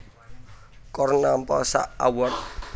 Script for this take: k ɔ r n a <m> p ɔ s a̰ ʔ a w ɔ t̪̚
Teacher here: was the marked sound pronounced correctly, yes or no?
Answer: yes